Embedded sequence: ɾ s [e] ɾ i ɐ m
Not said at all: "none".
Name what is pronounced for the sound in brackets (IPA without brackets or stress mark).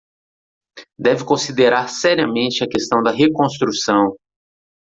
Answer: ɛ